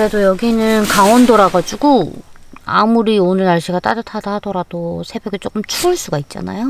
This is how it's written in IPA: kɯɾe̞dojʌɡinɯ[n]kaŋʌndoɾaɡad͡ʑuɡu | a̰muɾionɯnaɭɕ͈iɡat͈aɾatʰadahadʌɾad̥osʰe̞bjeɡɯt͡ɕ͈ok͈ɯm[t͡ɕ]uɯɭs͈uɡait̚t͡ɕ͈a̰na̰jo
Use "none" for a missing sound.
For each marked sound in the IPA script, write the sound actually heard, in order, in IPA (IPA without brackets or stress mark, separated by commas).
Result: n, t͡ɕʰ